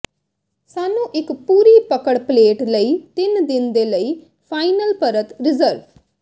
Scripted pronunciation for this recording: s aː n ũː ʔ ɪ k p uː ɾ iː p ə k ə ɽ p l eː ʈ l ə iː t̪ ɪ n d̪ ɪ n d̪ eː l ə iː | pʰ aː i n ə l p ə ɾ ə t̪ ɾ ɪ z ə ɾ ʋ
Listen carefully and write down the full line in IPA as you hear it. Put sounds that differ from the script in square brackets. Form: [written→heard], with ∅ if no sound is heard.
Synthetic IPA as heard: s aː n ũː ʔ ɪ k p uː ɾ iː p ə k ə ɽ p l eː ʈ l ə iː t̪ ɪ n d̪ ɪ n d̪ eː l ə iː | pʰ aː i n ə l p ə ɾ ə t̪ ɾ ɪ z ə ɾ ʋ